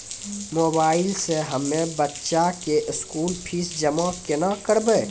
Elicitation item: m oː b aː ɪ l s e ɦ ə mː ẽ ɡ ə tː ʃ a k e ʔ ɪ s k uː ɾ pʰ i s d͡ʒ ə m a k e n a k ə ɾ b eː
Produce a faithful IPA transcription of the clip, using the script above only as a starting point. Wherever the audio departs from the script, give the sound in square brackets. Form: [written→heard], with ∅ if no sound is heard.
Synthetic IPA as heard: m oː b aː ɪ l s e ɦ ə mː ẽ [ɡ→b] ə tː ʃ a k e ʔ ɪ s k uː [ɾ→l] pʰ i s d͡ʒ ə m a k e n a k ə ɾ b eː

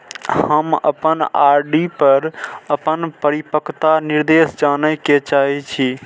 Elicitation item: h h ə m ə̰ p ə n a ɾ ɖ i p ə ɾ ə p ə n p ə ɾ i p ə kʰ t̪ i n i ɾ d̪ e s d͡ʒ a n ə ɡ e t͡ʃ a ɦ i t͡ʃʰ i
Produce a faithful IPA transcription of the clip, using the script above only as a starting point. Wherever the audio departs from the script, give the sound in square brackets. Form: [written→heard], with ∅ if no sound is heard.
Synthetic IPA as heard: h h ə m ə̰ p ə n a ɾ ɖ i p ə ɾ ə p ə n p ə ɾ i p ə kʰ t̪ [i→a] n i ɾ d̪ e s d͡ʒ a n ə [ɡ→k] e t͡ʃ a ɦ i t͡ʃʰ i

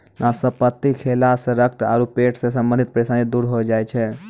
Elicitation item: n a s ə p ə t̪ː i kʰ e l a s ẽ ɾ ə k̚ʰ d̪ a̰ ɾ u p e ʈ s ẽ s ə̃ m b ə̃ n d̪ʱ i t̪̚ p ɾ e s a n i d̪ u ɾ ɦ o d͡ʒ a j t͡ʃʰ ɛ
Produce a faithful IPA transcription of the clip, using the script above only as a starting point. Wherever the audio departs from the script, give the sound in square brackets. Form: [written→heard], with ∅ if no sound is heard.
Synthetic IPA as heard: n a s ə p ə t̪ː i kʰ e l a s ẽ ɾ ə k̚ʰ [d̪→t̪] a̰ ɾ u p e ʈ s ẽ s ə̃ m b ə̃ n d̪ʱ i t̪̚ p ɾ e s a n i d̪ u ɾ ɦ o d͡ʒ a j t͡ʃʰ ɛ

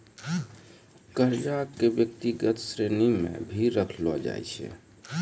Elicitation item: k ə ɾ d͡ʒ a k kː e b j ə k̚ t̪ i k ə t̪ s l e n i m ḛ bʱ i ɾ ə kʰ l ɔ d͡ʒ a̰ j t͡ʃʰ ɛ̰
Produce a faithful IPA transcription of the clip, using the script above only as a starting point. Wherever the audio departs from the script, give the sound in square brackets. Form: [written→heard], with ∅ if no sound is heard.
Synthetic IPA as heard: k ə ɾ d͡ʒ a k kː e b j ə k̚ t̪ i [k→ɡ] ə t̪ s [l→ɾ] e n i m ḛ bʱ i ɾ ə kʰ l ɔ d͡ʒ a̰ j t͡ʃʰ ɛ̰

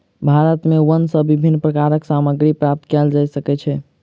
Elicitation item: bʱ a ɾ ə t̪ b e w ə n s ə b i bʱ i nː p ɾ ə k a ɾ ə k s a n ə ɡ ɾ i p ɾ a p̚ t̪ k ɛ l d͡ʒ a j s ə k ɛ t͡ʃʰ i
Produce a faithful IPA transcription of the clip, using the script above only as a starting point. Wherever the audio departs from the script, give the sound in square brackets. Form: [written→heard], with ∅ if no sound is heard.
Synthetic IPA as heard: bʱ a ɾ ə t̪ [b→m] e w ə n s ə b i bʱ i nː p ɾ ə k a ɾ ə k s a [n→m] ə ɡ ɾ i p ɾ a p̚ t̪ k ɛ l d͡ʒ a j s ə k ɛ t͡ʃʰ [i→ɛ]

